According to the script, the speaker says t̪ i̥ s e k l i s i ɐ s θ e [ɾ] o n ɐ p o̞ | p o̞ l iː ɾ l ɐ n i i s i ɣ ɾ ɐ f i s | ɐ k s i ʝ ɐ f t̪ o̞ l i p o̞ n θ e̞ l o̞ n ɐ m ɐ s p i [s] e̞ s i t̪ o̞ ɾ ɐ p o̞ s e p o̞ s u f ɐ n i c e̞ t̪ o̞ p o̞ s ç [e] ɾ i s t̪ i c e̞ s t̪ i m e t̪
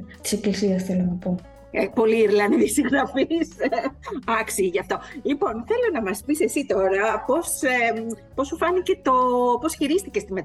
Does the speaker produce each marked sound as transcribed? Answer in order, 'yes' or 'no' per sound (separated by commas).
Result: no, yes, no